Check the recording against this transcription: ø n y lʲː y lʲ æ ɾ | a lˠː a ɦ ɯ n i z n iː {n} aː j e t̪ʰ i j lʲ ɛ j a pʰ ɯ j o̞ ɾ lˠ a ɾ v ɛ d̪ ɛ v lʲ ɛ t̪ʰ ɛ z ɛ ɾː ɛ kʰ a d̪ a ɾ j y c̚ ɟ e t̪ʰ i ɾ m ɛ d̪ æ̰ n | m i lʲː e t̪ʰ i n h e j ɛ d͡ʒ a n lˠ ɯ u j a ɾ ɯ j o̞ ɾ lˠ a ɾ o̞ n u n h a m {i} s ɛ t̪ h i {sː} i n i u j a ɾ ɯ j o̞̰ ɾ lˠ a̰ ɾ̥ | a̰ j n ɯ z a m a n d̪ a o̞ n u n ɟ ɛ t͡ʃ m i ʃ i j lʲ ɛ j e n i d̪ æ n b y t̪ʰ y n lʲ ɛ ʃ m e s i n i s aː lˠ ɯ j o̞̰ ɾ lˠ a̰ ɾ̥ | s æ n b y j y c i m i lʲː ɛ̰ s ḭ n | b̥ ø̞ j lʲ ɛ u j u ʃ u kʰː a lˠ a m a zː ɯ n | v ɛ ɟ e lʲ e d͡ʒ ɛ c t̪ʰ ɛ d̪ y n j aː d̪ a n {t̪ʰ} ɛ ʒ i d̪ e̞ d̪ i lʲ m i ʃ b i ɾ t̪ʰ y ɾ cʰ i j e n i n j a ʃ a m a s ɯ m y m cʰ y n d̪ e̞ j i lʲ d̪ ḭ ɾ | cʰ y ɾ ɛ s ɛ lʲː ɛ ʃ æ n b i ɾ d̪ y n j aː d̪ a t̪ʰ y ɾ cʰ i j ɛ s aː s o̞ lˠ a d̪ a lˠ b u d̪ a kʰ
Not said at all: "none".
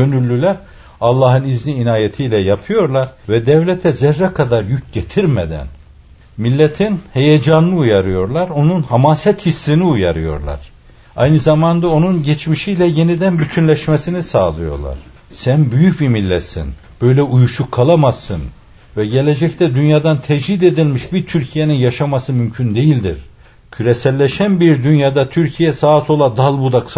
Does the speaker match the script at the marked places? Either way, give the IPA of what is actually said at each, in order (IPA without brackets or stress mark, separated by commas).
n, a, sː, t̪ʰ